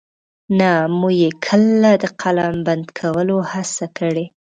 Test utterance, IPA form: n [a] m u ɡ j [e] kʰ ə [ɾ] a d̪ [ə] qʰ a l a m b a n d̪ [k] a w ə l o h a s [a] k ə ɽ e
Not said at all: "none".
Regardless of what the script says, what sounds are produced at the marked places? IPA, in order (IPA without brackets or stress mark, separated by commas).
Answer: a, e, l, ə, kʰ, a